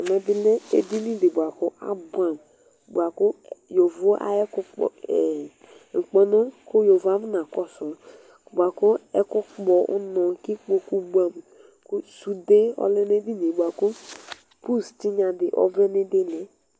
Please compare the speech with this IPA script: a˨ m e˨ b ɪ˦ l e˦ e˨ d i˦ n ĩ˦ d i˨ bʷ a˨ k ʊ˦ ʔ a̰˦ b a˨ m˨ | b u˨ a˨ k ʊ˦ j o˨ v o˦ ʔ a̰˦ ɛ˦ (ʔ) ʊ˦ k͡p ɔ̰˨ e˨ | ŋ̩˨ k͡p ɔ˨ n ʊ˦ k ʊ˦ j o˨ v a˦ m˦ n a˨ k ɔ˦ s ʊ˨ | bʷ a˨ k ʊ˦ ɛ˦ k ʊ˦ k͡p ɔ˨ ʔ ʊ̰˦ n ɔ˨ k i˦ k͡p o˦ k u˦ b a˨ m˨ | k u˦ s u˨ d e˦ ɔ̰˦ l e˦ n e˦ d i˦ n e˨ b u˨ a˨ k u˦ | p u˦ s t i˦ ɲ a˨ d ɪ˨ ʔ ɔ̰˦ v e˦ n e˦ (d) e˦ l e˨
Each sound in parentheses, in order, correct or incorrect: incorrect: k, correct

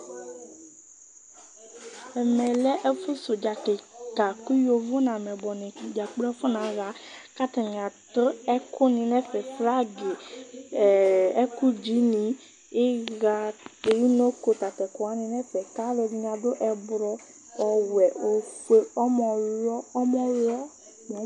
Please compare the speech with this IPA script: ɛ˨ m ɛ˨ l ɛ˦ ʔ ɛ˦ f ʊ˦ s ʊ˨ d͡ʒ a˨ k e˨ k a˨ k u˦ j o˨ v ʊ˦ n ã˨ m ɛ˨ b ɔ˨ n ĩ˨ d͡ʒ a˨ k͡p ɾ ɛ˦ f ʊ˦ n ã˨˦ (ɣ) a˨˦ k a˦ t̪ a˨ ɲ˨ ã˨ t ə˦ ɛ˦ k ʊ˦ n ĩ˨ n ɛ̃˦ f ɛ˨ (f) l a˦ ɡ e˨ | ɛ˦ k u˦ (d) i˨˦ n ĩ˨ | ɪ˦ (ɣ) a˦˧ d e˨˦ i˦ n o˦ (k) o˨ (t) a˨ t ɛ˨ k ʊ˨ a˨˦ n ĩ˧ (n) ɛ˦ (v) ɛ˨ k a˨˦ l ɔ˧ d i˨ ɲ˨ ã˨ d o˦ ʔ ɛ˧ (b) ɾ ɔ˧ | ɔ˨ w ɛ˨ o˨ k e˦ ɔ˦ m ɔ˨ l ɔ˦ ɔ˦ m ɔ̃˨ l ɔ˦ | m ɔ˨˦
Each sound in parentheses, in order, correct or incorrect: correct, correct, incorrect: d͡ʒ, correct, correct, correct, correct, incorrect: f, correct

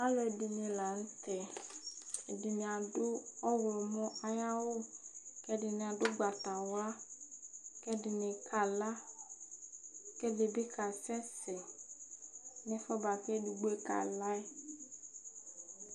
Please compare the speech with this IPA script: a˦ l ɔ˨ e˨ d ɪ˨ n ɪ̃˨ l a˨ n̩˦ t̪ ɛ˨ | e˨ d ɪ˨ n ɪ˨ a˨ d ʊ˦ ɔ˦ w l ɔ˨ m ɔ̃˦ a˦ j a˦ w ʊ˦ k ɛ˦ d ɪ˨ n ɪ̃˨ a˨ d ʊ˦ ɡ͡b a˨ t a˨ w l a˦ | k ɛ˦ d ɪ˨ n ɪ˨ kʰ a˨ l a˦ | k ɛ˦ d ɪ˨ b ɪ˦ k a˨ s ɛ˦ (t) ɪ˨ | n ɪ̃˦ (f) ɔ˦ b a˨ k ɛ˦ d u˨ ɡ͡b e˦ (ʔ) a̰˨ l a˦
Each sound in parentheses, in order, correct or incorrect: incorrect: s, correct, incorrect: k

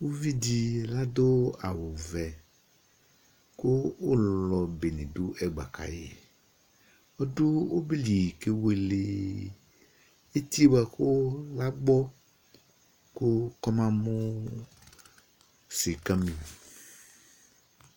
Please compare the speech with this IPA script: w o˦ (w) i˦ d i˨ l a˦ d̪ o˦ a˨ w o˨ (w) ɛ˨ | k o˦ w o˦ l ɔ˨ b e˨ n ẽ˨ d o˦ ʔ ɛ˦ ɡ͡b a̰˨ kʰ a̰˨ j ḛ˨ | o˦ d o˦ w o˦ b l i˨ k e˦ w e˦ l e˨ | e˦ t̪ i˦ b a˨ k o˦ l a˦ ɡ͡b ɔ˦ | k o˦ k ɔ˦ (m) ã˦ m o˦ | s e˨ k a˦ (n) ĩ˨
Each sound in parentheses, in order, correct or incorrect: incorrect: v, incorrect: v, correct, incorrect: m

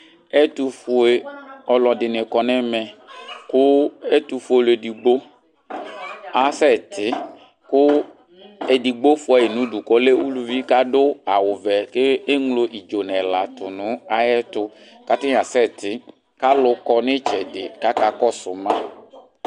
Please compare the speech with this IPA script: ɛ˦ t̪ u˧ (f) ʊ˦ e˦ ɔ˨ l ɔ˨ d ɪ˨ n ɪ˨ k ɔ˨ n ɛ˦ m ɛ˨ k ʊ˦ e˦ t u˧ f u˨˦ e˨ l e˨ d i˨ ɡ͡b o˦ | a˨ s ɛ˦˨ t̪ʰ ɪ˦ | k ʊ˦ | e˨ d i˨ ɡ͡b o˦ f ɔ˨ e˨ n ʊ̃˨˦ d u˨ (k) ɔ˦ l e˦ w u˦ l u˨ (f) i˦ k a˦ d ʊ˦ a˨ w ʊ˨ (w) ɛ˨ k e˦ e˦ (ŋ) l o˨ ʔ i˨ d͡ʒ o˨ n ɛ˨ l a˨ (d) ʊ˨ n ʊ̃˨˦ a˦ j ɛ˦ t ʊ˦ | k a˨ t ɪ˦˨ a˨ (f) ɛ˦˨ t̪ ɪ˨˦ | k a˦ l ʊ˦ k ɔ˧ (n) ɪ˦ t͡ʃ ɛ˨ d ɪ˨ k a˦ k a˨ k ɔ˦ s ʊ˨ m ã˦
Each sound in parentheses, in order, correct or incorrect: correct, correct, incorrect: v, incorrect: v, correct, incorrect: t, incorrect: s, correct

